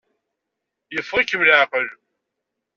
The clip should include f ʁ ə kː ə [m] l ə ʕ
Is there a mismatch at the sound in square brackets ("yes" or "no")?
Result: no